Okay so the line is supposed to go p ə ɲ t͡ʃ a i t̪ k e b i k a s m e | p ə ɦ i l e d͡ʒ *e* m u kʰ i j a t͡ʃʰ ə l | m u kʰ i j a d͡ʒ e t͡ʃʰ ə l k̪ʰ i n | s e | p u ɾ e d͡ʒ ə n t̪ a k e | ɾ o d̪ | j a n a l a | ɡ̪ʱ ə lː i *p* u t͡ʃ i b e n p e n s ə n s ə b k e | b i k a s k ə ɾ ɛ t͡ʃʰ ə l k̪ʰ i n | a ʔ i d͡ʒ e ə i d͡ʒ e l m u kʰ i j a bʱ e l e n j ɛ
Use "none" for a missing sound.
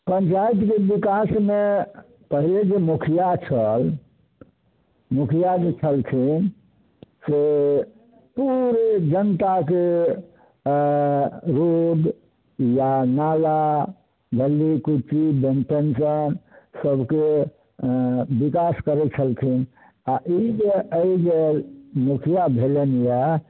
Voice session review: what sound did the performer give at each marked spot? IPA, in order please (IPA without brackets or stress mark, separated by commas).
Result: e, k